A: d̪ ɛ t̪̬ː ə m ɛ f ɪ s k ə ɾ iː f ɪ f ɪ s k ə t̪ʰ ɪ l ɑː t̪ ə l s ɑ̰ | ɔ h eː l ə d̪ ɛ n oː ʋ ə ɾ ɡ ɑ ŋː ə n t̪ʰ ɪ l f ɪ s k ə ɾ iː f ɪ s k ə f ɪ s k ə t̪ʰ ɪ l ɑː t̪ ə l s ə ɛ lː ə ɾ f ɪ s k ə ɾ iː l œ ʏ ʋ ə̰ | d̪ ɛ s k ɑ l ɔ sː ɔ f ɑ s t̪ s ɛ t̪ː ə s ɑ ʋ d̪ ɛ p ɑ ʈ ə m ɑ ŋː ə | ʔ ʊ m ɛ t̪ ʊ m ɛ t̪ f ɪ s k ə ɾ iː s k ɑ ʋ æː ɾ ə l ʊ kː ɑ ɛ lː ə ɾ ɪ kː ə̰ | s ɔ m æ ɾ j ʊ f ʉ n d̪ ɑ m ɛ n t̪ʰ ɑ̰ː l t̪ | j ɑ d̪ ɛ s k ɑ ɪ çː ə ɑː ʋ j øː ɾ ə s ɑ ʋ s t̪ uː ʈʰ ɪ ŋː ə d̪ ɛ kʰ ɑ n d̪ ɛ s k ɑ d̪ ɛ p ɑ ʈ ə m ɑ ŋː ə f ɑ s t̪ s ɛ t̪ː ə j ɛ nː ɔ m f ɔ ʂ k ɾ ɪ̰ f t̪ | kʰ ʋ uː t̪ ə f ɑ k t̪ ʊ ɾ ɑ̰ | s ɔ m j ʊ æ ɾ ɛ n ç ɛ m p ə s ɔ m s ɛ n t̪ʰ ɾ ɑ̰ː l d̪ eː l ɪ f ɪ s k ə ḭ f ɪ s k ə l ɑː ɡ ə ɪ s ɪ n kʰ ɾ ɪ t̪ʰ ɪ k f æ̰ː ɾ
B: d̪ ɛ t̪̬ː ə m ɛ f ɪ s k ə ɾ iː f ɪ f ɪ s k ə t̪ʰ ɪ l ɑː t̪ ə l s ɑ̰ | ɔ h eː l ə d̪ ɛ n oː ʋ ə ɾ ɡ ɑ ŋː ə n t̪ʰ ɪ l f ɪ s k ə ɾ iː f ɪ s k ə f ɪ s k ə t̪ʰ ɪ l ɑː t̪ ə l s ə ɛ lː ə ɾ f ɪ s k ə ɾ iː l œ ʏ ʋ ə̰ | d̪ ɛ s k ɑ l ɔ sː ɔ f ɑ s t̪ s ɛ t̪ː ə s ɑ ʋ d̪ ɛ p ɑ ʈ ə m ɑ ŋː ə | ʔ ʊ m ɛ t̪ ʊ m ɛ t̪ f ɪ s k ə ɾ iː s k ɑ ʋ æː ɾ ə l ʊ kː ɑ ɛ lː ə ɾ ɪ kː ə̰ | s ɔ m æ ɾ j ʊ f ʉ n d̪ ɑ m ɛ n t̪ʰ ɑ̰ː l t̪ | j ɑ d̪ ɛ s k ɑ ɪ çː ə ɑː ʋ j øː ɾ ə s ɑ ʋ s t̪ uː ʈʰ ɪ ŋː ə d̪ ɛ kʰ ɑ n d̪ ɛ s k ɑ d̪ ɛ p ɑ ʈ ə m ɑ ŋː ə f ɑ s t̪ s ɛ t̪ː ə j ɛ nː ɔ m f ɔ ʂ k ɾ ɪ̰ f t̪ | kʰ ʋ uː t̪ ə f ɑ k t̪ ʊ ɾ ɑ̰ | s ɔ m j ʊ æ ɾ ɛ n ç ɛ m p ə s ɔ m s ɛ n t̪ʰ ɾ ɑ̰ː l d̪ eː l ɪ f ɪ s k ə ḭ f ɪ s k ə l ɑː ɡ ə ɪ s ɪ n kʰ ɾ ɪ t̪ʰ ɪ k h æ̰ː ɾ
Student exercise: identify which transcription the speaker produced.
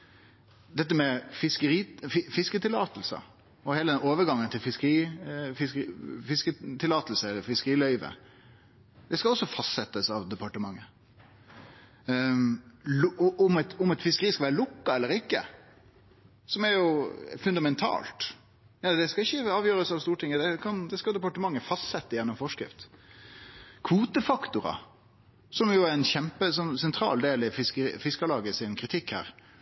B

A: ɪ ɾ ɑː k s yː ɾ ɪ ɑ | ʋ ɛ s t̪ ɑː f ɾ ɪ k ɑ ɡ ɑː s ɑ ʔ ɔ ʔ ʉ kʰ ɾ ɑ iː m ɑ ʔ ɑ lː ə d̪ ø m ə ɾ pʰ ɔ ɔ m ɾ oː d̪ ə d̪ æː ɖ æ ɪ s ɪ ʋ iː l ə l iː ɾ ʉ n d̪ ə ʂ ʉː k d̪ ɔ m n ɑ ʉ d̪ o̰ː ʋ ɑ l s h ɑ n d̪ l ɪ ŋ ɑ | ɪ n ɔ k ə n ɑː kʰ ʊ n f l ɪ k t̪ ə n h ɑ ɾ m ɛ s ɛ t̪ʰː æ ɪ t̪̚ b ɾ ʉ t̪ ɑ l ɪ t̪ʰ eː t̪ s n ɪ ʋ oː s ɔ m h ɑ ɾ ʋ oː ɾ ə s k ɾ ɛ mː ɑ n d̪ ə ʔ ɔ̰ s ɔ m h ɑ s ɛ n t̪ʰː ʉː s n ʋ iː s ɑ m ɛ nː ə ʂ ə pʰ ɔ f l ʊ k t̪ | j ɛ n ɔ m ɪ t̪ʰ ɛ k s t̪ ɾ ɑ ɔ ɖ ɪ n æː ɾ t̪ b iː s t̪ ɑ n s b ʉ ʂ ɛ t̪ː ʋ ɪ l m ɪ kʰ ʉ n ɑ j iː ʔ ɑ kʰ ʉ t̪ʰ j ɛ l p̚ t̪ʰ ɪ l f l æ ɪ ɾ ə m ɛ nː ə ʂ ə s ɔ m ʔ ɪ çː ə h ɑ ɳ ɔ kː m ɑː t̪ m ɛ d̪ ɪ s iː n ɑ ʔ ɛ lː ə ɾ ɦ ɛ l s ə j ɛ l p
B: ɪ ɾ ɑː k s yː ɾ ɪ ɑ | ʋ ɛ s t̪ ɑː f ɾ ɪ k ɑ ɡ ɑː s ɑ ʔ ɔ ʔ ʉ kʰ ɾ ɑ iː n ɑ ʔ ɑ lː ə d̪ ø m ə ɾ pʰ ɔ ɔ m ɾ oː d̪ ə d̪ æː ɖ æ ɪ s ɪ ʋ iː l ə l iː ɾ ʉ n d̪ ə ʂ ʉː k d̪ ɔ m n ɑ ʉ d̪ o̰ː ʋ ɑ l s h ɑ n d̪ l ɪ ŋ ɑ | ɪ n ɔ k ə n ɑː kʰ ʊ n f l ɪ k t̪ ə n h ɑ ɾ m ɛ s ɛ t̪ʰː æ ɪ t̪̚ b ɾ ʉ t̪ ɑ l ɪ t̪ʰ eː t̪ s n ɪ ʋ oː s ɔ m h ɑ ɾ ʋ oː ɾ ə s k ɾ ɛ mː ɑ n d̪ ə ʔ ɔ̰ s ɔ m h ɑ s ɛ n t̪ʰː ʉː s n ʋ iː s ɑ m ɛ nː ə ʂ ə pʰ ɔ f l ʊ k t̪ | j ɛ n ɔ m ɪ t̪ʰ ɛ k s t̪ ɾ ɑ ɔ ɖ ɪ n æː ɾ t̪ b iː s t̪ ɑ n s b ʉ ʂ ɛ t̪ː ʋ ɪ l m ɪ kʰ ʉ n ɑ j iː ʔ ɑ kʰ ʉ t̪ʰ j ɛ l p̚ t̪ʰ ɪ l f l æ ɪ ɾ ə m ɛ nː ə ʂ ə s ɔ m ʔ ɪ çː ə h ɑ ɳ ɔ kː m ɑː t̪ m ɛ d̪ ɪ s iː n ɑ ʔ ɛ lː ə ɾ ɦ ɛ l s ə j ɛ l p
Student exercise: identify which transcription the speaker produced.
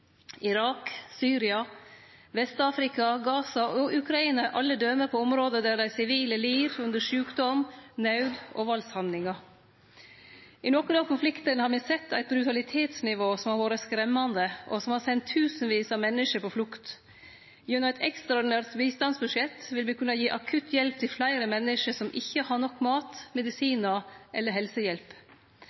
B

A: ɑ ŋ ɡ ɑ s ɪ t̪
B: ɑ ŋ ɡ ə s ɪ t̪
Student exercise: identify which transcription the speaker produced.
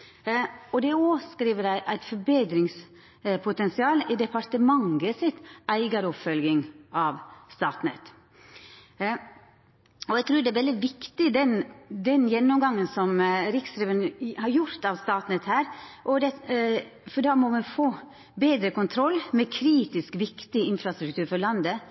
B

